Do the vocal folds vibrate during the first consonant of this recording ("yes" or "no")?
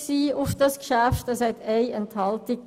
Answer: no